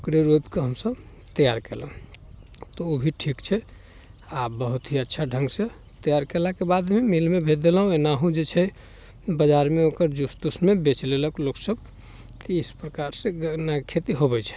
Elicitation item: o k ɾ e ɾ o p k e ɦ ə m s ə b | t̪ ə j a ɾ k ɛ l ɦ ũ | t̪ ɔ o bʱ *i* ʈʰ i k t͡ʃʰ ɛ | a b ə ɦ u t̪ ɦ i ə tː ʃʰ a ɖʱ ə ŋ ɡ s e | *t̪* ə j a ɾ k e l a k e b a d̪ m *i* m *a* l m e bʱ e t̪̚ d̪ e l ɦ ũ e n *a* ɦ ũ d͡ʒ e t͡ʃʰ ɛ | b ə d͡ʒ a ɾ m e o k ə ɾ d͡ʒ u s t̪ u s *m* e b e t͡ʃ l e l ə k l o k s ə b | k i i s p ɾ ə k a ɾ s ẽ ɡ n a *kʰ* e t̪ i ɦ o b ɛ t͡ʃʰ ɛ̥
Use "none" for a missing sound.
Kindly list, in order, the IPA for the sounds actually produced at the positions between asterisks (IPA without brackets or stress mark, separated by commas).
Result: i, t̪, e, i, a, m, kʰ